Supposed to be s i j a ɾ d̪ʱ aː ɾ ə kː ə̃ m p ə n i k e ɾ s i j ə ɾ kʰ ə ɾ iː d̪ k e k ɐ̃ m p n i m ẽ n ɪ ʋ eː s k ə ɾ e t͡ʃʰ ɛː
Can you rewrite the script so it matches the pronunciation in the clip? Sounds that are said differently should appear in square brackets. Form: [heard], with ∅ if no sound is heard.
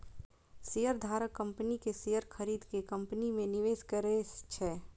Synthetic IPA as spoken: s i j [ə] ɾ d̪ʱ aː ɾ ə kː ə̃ m p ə n i k e [∅] s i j ə ɾ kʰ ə ɾ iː d̪ k e k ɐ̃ m p n i m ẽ n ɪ ʋ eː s k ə ɾ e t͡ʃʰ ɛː